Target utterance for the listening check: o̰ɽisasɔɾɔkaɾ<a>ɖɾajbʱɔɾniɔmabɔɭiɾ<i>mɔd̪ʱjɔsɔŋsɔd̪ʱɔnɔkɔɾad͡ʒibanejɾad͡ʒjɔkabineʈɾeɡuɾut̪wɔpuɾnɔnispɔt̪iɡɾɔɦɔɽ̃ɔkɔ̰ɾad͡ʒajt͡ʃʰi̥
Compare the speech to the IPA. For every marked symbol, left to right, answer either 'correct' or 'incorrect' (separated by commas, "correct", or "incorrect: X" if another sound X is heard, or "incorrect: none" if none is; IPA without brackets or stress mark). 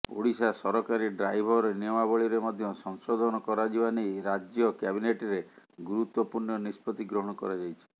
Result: incorrect: i, incorrect: e